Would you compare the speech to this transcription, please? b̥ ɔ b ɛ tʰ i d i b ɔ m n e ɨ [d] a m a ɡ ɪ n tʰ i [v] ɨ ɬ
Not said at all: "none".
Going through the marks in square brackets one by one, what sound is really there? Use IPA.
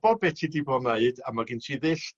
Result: d, ð

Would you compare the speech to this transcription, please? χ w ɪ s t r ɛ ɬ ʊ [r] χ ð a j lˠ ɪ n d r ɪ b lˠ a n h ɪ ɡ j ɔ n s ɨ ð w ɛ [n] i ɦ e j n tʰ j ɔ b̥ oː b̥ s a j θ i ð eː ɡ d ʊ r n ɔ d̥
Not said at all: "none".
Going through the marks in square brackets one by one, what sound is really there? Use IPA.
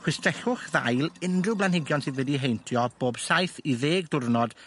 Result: none, d

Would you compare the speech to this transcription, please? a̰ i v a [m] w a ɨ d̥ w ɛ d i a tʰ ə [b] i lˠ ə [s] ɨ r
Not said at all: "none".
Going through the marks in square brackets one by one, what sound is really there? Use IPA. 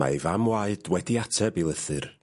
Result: m, b, θ

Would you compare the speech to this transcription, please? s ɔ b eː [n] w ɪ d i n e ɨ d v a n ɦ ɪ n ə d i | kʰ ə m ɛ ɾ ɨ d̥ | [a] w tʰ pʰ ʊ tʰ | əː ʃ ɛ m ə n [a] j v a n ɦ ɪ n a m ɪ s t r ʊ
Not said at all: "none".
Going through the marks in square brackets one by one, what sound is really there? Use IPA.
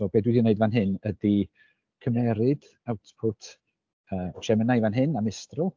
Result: d, a, a

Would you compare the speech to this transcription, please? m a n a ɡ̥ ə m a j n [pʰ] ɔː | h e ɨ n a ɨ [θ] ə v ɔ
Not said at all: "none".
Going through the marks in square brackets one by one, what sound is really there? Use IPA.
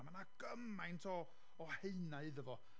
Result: tʰ, ð

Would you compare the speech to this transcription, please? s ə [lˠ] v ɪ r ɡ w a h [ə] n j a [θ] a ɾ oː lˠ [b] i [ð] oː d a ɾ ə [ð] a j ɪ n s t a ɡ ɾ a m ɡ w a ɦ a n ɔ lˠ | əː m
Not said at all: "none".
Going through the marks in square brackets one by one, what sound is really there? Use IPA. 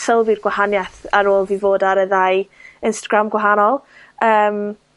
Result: lˠ, a, θ, v, v, ð

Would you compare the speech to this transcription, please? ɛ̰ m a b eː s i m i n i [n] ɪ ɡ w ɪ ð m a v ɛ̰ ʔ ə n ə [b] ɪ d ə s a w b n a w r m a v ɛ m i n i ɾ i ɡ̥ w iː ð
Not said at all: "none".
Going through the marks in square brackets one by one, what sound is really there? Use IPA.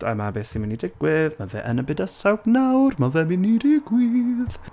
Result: d, b

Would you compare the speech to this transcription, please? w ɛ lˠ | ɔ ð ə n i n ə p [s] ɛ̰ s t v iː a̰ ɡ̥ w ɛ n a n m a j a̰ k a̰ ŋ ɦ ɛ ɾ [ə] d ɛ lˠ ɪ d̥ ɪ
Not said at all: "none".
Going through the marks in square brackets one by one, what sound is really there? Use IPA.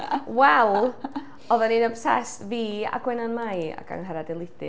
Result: s, a

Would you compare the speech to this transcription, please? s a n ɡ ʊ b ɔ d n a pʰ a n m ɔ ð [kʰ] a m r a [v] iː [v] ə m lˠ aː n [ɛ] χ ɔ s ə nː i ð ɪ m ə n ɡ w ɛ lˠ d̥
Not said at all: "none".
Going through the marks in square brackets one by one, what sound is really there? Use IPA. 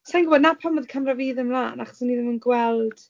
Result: kʰ, v, ð, a

